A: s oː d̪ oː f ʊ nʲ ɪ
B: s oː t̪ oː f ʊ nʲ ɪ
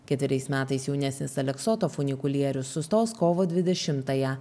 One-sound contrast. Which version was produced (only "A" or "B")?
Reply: B